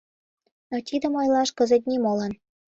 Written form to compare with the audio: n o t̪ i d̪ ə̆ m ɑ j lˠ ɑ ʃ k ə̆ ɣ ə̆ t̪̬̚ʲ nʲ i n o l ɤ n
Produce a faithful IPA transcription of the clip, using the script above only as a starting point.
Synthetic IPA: n o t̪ i d̪ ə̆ m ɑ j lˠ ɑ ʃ k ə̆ z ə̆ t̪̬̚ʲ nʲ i m o l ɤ n